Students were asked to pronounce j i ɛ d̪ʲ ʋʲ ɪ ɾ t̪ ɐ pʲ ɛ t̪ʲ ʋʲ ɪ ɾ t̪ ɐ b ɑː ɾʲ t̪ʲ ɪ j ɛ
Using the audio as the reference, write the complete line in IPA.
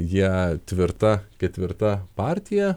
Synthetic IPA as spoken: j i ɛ t̪ʲ ʋʲ ɪ ɾ t̪ ɐ kʲ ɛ t̪ʲ ʋʲ ɪ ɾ t̪ ɐ p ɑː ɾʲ t̪ʲ ɪ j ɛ

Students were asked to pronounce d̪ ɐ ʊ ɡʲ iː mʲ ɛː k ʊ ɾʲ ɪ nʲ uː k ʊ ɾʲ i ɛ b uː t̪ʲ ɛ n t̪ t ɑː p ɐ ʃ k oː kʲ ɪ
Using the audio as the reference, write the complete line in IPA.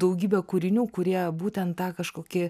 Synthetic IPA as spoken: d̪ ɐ ʊ ɡʲ iː bʲ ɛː k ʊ ɾʲ ɪ nʲ uː k ʊ ɾʲ i ɛ b uː t̪ʲ ɛ n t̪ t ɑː k ɐ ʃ k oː kʲ ɪ

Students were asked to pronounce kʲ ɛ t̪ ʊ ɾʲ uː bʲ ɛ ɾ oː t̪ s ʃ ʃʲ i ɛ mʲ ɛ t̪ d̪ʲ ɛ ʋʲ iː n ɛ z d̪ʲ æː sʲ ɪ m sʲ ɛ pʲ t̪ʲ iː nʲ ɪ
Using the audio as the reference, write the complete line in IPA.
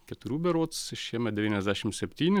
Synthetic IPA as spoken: kʲ ɛ t̪ ʊ ɾʲ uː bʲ ɛ ɾ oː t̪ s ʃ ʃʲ i ɛ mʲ ɛ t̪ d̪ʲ ɛ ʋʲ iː n ɛ z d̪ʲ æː ʃʲ ɪ m sʲ ɛ pʲ t̪ʲ iː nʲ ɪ

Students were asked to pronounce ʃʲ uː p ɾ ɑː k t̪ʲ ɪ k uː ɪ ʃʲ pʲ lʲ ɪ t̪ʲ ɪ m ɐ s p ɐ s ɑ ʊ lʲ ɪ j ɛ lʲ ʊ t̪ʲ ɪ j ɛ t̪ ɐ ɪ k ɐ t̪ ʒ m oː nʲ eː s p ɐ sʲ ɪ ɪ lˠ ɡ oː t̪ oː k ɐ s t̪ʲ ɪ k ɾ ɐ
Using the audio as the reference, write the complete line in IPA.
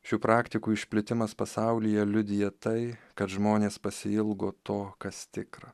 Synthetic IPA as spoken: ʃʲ uː p ɾ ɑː k t̪ʲ ɪ k uː ɪ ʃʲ pʲ lʲ ɪ t̪ʲ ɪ m ɐ s p ɐ s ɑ ʊ lʲ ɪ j ɛ lʲ ʊ d̪ʲ ɪ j ɛ t̪ ɐ ɪ k ɐ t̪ ʒ m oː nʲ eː s p ɐ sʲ ɪ ɪ lˠ ɡ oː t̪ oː k ɐ s t̪ʲ ɪ k ɾ ɐ

